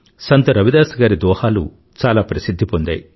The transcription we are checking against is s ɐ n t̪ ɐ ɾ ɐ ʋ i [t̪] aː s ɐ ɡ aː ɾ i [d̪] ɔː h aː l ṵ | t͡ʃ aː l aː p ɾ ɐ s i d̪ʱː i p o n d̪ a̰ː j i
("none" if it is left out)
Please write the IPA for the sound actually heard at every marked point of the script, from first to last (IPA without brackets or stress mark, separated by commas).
d̪, d̪